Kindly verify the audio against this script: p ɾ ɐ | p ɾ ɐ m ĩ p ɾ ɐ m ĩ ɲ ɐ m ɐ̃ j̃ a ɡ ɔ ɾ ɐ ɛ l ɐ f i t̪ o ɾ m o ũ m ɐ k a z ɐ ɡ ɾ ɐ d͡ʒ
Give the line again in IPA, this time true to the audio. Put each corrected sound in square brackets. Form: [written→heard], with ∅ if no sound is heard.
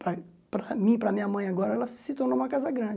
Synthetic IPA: p ɾ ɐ | p ɾ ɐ m ĩ p ɾ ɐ m ĩ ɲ ɐ m ɐ̃ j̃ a ɡ ɔ ɾ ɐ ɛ l ɐ [f→s] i t̪ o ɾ [m→n] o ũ m ɐ k a z ɐ ɡ ɾ [ɐ→ɐ̃] d͡ʒ